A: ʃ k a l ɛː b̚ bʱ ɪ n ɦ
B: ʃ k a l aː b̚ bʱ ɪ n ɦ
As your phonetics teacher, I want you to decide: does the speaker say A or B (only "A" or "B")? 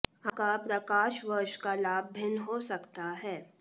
B